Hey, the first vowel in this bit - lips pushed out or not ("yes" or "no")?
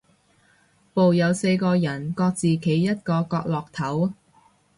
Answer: yes